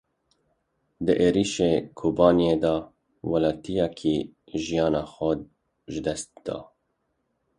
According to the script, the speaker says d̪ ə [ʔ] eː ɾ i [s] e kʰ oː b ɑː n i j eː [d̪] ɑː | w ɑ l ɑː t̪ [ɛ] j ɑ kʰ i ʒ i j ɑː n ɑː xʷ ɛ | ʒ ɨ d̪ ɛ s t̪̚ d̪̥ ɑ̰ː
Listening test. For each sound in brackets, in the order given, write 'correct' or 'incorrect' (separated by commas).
correct, incorrect, correct, incorrect